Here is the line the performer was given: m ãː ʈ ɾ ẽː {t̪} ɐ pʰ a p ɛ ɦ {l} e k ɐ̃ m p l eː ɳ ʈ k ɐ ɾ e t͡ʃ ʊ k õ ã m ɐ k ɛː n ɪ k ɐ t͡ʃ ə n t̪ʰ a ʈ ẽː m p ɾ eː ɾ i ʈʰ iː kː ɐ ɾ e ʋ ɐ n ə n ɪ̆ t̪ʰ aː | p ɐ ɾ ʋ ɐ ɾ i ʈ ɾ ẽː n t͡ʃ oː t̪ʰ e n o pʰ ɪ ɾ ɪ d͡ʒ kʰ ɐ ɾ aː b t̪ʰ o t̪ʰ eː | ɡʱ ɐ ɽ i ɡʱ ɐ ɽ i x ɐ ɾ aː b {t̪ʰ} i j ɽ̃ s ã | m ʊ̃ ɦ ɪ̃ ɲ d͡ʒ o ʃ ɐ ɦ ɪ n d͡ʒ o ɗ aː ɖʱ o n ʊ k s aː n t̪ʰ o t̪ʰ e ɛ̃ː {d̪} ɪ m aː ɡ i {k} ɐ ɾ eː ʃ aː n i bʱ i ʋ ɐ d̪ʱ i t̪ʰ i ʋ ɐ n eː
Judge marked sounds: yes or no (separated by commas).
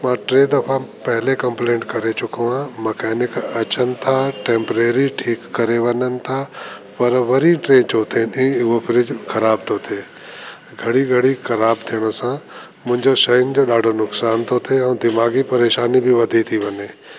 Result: no, yes, yes, yes, no